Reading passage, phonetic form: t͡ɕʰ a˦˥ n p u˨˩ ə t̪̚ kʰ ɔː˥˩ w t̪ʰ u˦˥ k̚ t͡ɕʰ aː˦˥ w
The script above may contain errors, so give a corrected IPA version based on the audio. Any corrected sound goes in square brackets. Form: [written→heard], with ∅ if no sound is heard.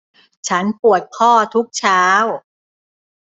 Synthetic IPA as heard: t͡ɕʰ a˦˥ n p u˨˩ ə t̪̚ kʰ ɔː˥˩ [w→∅] t̪ʰ u˦˥ k̚ t͡ɕʰ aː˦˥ w